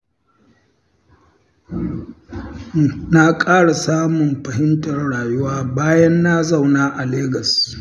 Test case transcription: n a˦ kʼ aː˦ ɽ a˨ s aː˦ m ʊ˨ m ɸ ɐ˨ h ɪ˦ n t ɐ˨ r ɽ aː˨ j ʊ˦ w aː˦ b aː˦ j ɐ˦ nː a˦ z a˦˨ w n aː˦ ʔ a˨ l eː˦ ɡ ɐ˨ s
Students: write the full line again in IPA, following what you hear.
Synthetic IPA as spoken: n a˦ kʼ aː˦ ɽ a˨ s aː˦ m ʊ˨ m ɸ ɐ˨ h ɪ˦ n t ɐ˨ r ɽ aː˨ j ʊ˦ w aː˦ b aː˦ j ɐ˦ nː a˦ z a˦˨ w n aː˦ ʔ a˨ l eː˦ ɡ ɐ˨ s